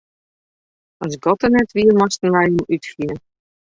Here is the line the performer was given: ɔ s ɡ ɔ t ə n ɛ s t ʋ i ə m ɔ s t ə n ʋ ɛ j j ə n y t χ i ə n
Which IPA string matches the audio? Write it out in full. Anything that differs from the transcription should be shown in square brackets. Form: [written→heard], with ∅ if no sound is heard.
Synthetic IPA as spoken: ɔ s ɡ ɔ t ə n ɛ [s→∅] t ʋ i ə m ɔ s t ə n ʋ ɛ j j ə [n→m] y t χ i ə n